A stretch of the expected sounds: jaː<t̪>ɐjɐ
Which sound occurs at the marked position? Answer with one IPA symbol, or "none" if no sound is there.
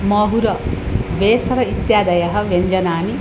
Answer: d̪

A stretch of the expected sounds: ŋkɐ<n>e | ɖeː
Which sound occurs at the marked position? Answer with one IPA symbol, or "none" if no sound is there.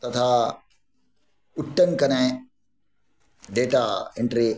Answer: n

